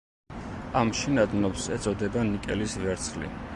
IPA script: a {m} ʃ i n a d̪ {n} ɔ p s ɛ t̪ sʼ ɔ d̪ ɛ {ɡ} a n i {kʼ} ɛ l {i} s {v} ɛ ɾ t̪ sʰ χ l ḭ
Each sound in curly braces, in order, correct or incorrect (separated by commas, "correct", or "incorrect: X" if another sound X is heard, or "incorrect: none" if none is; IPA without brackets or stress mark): correct, correct, incorrect: b, correct, correct, correct